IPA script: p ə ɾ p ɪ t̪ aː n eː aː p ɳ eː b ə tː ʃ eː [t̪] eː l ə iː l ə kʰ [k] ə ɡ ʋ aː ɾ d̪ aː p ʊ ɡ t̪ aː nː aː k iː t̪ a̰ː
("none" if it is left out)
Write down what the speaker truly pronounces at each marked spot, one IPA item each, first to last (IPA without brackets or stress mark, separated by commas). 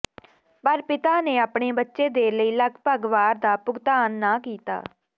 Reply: d̪, p